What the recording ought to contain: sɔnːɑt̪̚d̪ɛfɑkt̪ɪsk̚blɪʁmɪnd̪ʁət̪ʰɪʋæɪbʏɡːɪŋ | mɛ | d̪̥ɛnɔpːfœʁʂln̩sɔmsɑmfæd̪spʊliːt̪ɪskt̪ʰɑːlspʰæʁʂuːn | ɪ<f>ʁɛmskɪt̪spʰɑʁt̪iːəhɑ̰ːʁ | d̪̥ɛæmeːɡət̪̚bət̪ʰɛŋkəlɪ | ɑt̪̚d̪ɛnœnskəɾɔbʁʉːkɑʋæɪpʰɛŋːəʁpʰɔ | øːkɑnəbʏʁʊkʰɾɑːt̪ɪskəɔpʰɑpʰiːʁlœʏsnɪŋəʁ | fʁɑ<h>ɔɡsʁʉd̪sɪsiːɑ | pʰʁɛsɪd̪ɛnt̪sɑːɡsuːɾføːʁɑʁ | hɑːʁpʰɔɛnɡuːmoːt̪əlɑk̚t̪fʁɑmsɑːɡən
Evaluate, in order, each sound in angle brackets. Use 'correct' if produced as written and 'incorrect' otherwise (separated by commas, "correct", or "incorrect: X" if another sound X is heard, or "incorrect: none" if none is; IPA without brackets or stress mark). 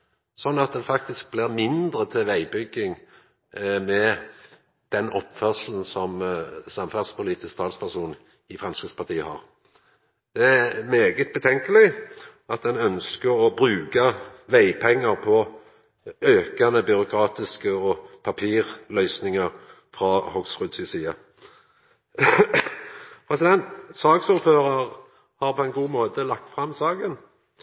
correct, correct